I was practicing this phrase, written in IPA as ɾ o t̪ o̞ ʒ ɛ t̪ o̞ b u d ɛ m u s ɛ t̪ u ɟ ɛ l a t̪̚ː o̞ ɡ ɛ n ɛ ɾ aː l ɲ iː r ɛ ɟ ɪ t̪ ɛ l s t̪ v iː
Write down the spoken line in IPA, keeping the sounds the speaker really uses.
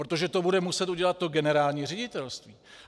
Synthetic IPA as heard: ɾ o t̪ o̞ ʒ ɛ t̪ o̞ b u d ɛ m u s ɛ t̪ u ɟ ɛ l a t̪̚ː o̞ ɡ ɛ n ɛ ɾ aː l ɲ iː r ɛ ɟ ɪ t̪ ɛ l s t̪ v iː